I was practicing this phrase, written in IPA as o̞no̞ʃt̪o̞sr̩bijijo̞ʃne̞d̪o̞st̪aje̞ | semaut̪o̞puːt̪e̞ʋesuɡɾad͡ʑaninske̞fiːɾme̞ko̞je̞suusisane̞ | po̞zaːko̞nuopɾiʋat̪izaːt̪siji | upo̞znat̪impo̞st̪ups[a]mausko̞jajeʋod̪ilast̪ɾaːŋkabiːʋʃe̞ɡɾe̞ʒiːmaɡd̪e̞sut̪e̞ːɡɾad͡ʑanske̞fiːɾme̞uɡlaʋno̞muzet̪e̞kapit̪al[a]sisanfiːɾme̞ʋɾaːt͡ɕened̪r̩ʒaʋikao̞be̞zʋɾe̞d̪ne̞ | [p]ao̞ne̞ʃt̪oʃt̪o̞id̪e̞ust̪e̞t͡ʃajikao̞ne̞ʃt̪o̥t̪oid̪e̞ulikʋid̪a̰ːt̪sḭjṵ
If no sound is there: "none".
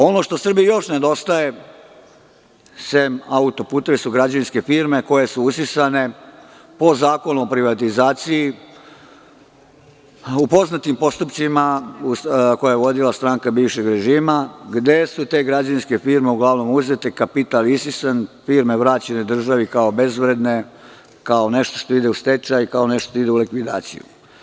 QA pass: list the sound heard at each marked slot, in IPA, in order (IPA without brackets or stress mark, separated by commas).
i, i, k